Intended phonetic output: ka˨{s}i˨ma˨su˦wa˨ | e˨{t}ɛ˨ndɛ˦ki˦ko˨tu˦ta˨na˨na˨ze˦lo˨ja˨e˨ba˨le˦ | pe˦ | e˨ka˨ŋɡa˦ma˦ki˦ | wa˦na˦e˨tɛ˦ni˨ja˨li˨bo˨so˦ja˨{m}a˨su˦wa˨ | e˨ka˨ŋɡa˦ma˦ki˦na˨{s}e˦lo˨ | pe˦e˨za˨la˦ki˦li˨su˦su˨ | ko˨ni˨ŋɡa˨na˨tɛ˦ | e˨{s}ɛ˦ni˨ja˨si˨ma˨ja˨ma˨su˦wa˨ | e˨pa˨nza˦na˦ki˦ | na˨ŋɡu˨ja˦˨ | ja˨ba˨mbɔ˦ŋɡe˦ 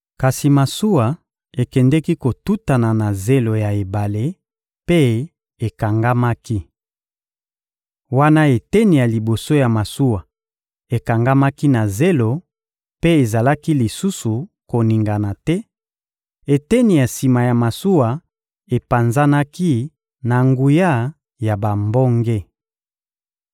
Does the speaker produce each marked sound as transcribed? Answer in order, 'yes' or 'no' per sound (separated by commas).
yes, no, yes, no, no